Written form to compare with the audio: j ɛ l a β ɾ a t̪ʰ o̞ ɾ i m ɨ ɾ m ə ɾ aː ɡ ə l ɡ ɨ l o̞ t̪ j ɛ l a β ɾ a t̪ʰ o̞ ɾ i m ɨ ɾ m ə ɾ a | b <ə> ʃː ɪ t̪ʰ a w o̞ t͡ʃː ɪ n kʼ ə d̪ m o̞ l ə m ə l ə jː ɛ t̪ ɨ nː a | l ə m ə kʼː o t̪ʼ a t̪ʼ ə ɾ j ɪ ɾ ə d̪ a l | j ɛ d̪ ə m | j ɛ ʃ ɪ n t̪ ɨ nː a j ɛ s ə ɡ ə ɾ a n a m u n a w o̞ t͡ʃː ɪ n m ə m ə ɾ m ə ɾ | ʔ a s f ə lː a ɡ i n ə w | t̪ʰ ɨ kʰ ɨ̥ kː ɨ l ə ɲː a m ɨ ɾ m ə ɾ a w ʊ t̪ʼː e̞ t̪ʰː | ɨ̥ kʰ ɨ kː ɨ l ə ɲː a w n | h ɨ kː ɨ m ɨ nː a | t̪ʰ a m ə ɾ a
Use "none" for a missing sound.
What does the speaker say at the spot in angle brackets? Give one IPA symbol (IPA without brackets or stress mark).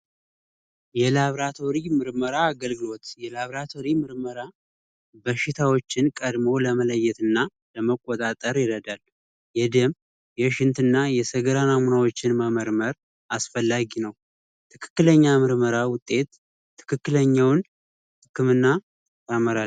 ə